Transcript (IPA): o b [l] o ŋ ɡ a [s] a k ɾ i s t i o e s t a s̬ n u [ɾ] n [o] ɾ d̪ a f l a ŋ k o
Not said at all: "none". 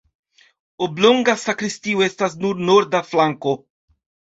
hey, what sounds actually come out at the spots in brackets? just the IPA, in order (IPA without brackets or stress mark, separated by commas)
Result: l, s, ɾ, o